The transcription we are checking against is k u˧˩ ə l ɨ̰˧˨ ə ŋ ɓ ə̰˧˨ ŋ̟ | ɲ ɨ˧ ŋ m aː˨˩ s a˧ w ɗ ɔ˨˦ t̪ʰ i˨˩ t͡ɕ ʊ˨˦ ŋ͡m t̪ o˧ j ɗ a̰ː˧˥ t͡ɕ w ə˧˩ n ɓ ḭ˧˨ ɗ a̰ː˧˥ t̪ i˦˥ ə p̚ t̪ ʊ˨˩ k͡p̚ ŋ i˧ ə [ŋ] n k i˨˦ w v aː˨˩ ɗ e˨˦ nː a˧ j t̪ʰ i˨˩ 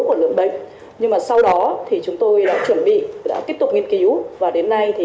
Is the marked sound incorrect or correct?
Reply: incorrect